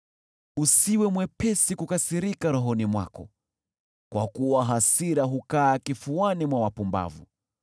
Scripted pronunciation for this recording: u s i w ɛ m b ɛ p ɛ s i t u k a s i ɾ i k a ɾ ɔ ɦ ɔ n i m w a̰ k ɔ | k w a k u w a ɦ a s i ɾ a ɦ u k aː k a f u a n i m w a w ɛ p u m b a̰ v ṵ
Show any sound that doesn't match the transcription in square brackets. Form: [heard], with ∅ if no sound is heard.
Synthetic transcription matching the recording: u s i w ɛ m [w] ɛ p ɛ s i [k] u k a s i ɾ i k a ɾ ɔ ɦ ɔ n i m w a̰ k ɔ | k w a k u w a ɦ a s i ɾ a ɦ u k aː k [i] f u a n i m w a w [a] p u m b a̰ v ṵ